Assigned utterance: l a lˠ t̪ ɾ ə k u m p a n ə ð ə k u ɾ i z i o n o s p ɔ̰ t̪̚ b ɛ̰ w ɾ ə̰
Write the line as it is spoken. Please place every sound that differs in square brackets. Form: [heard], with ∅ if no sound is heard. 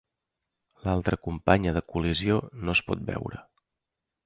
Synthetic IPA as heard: l a lˠ t̪ ɾ ə k u m p a [ɲ] ə ð ə k u [l] i z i o n o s p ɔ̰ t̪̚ b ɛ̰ w ɾ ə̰